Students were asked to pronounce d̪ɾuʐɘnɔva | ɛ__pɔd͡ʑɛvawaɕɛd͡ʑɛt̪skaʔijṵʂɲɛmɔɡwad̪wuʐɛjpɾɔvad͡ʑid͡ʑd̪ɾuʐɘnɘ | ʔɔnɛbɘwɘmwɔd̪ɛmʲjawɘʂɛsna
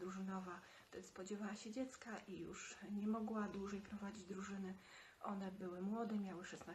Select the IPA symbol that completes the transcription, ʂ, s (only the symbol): s